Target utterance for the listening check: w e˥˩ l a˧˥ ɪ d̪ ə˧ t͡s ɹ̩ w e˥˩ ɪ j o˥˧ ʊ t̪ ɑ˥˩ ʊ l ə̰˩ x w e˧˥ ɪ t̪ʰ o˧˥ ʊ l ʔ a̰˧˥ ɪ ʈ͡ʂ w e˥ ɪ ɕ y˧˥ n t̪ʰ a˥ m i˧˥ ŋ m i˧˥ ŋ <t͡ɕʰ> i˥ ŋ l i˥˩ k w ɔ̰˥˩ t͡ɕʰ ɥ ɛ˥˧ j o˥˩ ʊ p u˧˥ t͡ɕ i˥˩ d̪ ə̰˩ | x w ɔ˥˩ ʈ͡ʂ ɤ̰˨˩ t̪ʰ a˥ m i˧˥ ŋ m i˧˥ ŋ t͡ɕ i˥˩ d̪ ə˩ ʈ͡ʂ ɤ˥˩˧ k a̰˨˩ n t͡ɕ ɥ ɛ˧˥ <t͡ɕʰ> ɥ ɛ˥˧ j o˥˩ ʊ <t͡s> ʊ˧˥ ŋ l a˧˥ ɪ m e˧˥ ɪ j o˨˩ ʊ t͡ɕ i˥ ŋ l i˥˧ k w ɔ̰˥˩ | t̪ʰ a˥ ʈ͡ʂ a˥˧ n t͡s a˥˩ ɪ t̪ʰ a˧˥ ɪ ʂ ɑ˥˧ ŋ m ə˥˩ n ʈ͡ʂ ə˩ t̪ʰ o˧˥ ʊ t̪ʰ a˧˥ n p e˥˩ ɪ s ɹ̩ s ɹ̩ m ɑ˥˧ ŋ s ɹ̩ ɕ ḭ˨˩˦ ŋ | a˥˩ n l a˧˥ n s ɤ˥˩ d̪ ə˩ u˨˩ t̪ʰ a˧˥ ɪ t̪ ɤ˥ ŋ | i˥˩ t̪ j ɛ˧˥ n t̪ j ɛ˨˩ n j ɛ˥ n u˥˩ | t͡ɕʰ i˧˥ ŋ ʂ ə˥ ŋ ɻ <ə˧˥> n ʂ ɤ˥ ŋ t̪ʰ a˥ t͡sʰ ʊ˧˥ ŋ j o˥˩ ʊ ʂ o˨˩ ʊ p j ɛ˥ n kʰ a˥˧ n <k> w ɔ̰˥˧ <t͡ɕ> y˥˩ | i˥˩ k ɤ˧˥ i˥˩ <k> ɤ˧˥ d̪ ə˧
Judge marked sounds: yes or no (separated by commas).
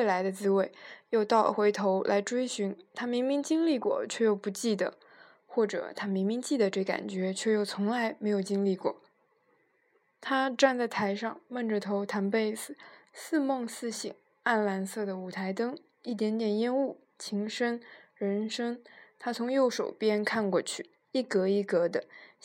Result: no, yes, no, yes, yes, no, yes